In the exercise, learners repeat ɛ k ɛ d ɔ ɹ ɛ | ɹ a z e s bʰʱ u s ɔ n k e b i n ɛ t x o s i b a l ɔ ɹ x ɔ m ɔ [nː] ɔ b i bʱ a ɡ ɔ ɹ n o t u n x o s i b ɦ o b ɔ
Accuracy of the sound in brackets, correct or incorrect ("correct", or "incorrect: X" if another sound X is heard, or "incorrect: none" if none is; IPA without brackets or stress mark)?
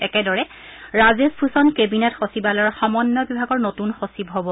correct